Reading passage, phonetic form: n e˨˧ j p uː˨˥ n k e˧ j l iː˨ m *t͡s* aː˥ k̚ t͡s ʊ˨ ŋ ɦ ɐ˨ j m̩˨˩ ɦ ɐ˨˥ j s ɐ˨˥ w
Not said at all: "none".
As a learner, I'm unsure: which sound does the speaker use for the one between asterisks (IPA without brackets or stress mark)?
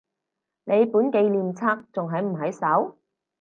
t͡sʰ